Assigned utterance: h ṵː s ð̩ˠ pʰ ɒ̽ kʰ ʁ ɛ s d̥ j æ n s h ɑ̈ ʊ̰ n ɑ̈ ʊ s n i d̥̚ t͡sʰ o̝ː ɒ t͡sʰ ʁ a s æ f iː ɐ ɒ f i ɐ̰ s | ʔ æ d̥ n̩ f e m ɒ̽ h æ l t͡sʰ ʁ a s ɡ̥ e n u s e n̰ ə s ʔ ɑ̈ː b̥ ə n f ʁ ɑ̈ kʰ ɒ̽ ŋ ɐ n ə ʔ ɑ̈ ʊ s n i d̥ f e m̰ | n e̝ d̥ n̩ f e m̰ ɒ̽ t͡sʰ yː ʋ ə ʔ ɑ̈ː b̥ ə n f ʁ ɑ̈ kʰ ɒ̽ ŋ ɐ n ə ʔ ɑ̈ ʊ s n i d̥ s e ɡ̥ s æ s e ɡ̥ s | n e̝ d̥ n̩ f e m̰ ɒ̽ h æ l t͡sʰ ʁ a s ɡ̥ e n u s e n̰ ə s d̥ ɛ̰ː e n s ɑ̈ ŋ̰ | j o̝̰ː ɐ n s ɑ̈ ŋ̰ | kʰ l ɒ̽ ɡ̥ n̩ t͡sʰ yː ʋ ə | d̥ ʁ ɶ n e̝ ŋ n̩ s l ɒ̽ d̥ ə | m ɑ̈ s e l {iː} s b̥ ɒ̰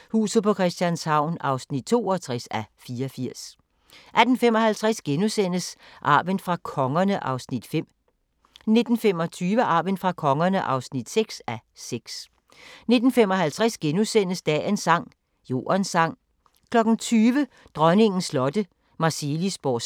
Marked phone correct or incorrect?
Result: incorrect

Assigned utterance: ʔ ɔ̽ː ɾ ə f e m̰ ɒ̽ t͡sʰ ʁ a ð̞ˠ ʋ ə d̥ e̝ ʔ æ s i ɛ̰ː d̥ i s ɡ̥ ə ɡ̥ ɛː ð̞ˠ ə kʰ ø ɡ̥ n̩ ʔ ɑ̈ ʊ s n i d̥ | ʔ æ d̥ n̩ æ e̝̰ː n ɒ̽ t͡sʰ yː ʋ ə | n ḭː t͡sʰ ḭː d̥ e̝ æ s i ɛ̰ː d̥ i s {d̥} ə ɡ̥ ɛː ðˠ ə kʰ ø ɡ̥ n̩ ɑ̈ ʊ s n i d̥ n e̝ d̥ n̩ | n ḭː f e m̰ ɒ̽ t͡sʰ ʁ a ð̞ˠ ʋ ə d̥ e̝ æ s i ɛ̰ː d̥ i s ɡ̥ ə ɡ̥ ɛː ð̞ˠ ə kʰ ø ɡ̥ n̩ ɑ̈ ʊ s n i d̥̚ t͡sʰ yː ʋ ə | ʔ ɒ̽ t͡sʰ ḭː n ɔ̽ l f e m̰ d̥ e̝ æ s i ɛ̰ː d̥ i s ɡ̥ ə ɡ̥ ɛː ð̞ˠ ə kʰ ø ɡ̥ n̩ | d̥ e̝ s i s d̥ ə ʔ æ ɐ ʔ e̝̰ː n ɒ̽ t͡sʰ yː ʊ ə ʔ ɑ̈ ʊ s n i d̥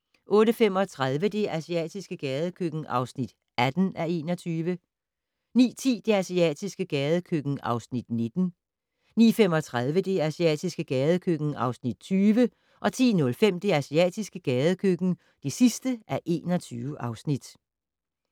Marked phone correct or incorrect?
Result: incorrect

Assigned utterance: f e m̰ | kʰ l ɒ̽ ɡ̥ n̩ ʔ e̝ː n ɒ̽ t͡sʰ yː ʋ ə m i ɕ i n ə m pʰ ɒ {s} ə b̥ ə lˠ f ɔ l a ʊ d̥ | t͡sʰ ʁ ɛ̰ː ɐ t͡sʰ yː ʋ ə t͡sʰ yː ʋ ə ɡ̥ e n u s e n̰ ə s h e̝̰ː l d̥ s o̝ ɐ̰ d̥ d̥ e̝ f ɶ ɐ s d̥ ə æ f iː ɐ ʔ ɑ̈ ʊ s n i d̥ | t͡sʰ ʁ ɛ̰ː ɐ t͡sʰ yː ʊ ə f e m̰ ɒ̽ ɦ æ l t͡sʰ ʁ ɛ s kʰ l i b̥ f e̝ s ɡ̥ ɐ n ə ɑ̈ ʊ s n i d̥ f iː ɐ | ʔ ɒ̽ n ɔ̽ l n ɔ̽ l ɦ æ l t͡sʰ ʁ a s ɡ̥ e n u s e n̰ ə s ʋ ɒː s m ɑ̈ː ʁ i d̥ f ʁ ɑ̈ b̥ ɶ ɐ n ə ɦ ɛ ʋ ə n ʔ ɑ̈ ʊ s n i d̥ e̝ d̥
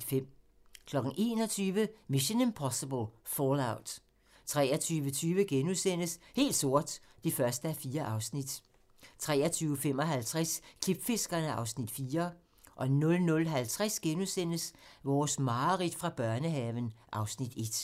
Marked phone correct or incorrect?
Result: correct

